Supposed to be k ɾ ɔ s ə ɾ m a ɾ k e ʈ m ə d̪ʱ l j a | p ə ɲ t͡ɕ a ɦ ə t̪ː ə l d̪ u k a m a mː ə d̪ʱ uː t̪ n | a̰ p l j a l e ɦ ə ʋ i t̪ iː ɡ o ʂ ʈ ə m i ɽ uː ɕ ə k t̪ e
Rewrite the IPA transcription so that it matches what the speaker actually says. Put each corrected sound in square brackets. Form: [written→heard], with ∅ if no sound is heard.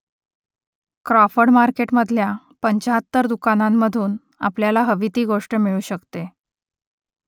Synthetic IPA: k ɾ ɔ [s→f] ə [ɾ→ɽ] m a ɾ k e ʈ m ə d̪ʱ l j a | p ə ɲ t͡ɕ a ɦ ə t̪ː ə [l→ɾ] d̪ u k a [m→n] a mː ə d̪ʱ uː [t̪→∅] n | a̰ p l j a l [e→a] ɦ ə ʋ i t̪ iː ɡ o ʂ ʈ ə m i [ɽ→ɭ] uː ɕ ə k t̪ e